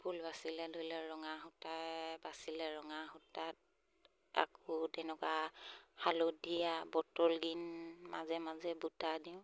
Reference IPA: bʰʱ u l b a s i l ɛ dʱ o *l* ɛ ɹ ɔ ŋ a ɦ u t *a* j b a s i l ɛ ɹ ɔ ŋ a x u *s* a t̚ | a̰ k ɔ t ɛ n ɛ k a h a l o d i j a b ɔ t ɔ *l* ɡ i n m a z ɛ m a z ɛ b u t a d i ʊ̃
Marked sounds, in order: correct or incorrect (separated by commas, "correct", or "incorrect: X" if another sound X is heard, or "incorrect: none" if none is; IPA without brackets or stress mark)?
correct, correct, incorrect: t, correct